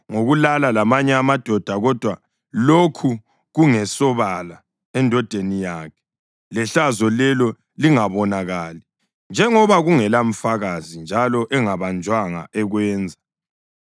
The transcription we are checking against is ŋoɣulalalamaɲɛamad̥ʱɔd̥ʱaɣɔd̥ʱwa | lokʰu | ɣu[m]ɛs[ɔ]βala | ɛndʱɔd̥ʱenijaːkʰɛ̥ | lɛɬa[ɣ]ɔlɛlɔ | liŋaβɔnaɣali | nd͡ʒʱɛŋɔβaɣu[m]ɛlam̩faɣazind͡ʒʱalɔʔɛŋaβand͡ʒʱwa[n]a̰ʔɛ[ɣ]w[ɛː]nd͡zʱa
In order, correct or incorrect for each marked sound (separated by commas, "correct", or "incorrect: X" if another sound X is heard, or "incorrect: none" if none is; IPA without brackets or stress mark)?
incorrect: ŋ, correct, incorrect: z, incorrect: ŋ, incorrect: ŋ, correct, correct